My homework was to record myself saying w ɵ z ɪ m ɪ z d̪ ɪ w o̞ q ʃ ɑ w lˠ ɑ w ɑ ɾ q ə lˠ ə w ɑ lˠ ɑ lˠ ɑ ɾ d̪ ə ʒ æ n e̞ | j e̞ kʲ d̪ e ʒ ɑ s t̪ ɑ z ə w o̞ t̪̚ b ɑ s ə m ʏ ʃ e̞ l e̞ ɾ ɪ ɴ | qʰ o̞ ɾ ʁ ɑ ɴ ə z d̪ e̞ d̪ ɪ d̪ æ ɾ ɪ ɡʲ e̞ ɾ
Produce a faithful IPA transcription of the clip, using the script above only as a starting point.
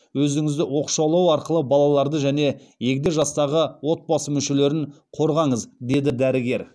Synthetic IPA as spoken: w ɵ z ɪ ŋ ɪ z d̪ ɪ w o̞ q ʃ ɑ w lˠ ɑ w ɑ ɾ q ə lˠ ə b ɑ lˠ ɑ lˠ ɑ ɾ d̪ ə ʒ æ n e̞ | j e̞ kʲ d̪ e ʒ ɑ s t̪ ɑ ʁ ə w o̞ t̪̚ b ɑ s ə m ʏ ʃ e̞ l e̞ ɾ ɪ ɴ | qʰ o̞ ɾ ʁ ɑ ɴ ə z d̪ e̞ d̪ ɪ d̪ æ ɾ ɪ ɡʲ e̞ ɾ